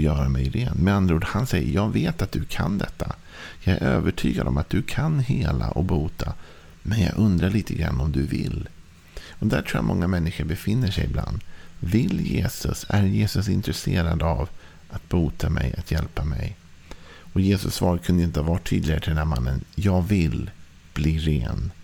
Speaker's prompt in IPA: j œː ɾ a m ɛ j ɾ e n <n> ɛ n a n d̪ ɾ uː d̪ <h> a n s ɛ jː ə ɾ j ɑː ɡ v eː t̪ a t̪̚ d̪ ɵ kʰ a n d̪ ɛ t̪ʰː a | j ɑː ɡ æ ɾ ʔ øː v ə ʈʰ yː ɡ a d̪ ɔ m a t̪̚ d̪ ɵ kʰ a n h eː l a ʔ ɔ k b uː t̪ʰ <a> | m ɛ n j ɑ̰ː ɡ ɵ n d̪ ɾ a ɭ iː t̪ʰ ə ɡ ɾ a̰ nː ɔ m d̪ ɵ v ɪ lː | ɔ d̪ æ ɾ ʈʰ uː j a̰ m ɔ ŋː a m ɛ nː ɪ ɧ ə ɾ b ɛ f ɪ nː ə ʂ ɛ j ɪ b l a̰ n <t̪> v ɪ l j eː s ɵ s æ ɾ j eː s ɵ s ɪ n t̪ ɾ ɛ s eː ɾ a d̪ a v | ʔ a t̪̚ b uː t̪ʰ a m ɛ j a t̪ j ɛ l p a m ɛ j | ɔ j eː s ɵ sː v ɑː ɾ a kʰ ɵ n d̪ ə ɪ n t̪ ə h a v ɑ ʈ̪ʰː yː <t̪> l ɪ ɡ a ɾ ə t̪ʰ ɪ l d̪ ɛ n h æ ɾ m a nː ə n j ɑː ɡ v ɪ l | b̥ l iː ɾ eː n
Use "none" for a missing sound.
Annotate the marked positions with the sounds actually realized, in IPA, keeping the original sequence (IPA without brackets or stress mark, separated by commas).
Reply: m, h, a, d̪, d̪